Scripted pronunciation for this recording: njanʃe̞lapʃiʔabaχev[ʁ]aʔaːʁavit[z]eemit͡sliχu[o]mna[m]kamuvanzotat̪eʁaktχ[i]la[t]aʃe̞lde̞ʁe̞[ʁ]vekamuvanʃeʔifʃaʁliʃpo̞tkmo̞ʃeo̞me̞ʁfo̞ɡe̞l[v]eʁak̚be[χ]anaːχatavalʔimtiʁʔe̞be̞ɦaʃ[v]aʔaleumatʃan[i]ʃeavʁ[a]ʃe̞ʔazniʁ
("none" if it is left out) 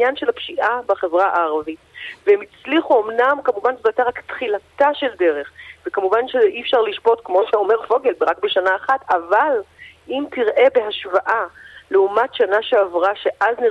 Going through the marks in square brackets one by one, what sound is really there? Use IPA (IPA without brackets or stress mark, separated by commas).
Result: ʁ, v, o, m, i, t, χ, b, ʃ, v, a, a